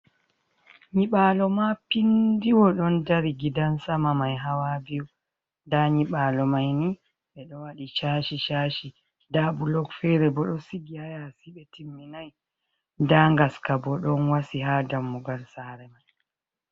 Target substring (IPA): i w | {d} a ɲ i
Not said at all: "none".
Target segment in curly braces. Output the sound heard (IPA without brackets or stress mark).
d